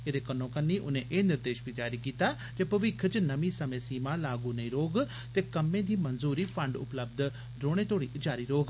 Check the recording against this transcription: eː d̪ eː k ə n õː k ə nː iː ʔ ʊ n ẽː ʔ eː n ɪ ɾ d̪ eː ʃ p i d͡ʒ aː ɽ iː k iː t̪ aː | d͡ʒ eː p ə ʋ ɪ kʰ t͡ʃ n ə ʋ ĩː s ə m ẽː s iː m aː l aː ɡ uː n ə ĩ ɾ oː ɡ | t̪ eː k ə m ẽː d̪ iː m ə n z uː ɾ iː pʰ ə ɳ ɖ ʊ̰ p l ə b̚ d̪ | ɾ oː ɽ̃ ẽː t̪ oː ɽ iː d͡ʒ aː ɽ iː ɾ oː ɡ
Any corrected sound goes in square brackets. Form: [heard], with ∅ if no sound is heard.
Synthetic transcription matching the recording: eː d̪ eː k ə n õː k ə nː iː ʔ ʊ n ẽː ʔ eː n ɪ ɾ d̪ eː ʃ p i d͡ʒ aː [ɾ] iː k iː t̪ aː | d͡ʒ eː p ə ʋ ɪ kʰ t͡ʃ n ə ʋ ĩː s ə m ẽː s iː m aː l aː ɡ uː n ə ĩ ɾ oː ɡ | t̪ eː k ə m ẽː d̪ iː m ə n z uː ɾ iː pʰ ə ɳ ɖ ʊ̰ p l ə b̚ d̪ | ɾ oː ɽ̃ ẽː t̪ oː ɽ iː d͡ʒ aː [ɾ] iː ɾ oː ɡ

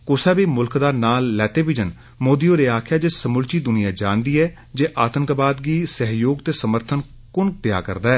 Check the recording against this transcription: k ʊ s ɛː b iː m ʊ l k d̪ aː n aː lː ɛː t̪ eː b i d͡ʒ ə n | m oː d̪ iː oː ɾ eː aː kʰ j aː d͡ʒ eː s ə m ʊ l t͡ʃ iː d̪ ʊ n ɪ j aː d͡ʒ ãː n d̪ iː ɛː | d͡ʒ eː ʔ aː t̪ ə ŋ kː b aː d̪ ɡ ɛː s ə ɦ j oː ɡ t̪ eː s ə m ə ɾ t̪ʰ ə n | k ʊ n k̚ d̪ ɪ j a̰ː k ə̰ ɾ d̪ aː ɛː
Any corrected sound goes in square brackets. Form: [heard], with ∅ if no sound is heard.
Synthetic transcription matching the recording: k ʊ s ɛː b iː m ʊ l k d̪ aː n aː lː ɛː t̪ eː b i d͡ʒ ə n | m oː d̪ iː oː ɾ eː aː kʰ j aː d͡ʒ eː s ə m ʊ l t͡ʃ iː d̪ ʊ n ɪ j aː d͡ʒ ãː n d̪ iː ɛː | d͡ʒ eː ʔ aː t̪ ə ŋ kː b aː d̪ ɡ [iː] s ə ɦ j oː ɡ t̪ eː s ə m ə ɾ t̪ʰ ə n | k ʊ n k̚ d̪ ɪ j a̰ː k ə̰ ɾ d̪ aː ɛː

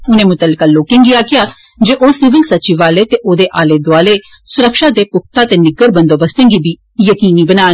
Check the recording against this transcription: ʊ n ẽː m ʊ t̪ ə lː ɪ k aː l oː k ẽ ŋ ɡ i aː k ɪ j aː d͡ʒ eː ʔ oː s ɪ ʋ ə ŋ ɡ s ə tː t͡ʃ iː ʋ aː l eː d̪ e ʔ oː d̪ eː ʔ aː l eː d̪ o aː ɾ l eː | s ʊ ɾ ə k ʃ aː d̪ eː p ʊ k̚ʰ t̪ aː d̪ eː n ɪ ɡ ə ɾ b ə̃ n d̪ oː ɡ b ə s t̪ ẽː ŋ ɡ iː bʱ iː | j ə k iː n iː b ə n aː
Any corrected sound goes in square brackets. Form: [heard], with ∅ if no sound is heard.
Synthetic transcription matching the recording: ʊ n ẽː m ʊ t̪ ə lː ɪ k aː l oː k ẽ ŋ ɡ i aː k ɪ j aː d͡ʒ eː ʔ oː s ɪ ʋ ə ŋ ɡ s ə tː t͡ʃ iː ʋ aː l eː [t̪] e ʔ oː d̪ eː ʔ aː l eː d̪ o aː [∅] l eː | s ʊ ɾ ə k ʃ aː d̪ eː p ʊ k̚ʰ t̪ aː [t̪] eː n ɪ ɡ ə ɾ b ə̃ n d̪ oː [∅] b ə s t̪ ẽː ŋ ɡ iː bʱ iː | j ə k iː n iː b ə n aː

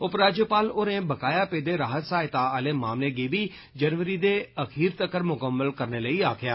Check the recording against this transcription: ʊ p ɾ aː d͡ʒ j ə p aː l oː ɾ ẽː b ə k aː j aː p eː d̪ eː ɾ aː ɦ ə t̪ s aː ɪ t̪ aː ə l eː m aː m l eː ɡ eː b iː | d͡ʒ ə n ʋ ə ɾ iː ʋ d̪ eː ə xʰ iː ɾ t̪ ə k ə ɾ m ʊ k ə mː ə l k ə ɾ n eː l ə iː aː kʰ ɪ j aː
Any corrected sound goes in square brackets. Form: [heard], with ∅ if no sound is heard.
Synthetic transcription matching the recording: ʊ p ɾ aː d͡ʒ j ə p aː l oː ɾ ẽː b ə k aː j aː p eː d̪ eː ɾ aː ɦ ə t̪ s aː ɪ t̪ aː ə l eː m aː m l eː ɡ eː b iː | d͡ʒ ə n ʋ ə ɾ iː [∅] d̪ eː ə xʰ iː ɾ t̪ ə k ə ɾ m ʊ k ə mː ə l k ə ɾ n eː l ə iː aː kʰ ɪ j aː

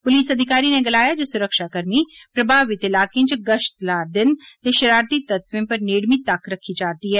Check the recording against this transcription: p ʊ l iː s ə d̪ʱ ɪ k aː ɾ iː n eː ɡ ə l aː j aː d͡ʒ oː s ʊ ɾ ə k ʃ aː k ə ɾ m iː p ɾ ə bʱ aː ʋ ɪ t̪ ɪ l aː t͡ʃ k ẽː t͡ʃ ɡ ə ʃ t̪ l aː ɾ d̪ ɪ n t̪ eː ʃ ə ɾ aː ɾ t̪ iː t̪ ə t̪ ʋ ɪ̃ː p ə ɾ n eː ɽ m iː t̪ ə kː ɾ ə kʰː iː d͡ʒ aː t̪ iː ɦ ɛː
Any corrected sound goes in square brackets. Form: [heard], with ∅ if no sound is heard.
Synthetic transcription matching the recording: p ʊ l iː s ə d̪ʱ ɪ k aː ɾ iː n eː ɡ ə l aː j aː d͡ʒ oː s ʊ ɾ ə k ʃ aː k ə ɾ m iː p ɾ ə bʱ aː ʋ ɪ t̪ ɪ l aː [∅] k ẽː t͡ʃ ɡ ə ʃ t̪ l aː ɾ d̪ ɪ n t̪ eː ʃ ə ɾ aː ɾ t̪ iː t̪ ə t̪ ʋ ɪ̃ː p ə ɾ n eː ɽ m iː t̪ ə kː ɾ ə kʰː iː d͡ʒ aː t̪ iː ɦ ɛː

